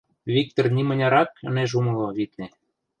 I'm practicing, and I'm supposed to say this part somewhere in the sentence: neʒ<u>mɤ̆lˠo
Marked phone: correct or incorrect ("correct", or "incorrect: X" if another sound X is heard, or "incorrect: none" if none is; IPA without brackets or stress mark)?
correct